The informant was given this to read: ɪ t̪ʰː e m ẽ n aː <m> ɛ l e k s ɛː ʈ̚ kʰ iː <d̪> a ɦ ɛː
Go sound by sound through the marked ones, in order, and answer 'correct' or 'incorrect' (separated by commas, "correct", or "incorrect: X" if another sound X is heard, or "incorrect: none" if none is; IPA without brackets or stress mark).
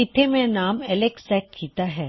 correct, incorrect: t̪